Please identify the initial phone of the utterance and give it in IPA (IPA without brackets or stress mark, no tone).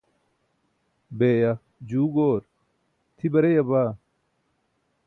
b